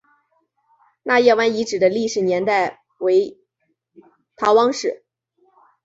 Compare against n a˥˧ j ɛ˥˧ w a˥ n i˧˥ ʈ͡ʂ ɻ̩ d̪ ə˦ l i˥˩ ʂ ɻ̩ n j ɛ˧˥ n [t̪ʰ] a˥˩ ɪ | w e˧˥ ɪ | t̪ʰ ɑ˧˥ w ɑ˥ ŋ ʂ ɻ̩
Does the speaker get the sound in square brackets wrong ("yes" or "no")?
yes